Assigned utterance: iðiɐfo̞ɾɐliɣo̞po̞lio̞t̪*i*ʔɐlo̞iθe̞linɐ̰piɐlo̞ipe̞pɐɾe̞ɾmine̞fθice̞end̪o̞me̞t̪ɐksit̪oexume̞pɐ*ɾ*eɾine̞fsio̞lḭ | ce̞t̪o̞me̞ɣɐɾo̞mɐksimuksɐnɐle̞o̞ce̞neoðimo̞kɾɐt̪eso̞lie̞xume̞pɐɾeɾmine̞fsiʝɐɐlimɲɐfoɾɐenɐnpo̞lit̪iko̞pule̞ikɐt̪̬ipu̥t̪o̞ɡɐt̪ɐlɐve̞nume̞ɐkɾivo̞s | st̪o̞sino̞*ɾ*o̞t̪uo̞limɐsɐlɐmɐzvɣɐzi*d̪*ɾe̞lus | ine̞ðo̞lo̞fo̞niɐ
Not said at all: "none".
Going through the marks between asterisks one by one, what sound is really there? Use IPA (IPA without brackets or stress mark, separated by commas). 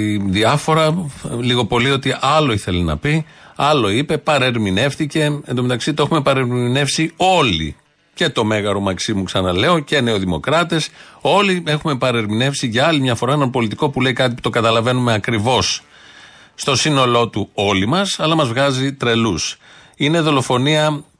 i, ɾ, l, t̪